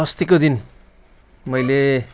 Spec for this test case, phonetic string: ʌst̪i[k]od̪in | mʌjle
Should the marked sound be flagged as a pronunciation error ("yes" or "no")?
no